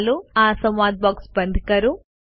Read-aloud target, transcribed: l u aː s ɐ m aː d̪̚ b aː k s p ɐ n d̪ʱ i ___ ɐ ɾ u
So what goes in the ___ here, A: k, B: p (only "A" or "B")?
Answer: A